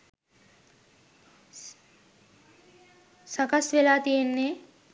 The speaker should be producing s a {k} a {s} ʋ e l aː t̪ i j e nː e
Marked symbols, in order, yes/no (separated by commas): yes, yes